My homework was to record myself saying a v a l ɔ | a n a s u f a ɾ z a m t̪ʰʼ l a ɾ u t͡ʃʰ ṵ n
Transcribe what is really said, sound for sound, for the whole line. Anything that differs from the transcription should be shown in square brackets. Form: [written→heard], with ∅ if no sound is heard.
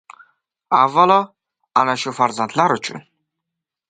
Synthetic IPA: a v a l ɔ | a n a [s→ʃ] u f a ɾ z a [m→n] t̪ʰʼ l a ɾ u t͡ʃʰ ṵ n